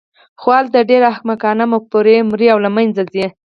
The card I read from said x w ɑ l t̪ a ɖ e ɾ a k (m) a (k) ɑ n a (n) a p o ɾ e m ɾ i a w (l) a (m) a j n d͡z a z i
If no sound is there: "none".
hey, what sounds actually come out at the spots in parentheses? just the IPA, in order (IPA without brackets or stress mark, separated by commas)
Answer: m, k, m, l, m